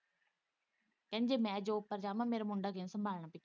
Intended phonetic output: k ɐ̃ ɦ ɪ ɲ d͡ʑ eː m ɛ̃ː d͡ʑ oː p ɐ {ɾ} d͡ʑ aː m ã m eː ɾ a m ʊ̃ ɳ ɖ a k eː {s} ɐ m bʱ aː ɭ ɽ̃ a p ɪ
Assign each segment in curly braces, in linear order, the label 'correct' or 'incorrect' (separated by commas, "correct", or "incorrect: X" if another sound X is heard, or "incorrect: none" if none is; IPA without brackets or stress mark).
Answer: correct, correct